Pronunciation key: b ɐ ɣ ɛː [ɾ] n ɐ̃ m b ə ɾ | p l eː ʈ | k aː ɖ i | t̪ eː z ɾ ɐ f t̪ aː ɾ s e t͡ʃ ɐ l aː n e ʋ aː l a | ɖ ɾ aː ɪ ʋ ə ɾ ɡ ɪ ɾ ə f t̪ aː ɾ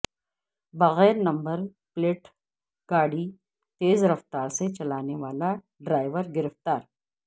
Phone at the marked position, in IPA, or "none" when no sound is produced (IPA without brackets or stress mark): ɾ